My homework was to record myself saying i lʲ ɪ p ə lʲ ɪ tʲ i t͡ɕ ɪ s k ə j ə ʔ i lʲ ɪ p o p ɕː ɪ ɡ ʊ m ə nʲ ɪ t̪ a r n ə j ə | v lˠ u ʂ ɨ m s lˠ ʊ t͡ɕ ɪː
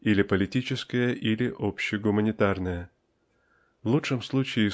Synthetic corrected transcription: i lʲ ɪ p ə lʲ ɪ tʲ i t͡ɕ ɪ s k ə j ə ʔ i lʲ ɪ ʔ o p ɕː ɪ ɡ ʊ m ə nʲ ɪ t̪ a r n ə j ə | v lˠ u ʂ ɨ m s lˠ u t͡ɕ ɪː